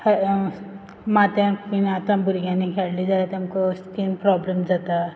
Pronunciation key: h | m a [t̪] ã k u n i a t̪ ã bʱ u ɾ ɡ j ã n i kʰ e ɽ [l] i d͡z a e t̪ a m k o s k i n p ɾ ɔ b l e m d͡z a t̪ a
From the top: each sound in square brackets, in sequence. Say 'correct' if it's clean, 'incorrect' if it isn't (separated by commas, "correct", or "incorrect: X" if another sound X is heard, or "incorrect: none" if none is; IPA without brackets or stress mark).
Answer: correct, correct